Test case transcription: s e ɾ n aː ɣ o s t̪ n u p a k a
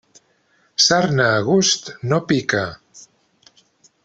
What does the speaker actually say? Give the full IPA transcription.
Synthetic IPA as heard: s a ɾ n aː ɣ u s t̪ n o p i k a